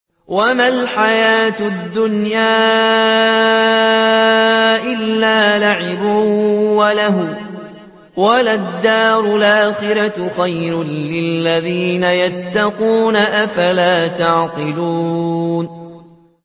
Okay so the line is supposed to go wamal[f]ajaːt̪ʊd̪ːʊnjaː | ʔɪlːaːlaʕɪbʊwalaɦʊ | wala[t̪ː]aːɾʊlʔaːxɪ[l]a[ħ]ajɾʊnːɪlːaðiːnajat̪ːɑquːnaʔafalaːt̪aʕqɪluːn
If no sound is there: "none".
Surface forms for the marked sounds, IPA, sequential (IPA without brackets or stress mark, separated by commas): ħ, d̪ː, ɾ, x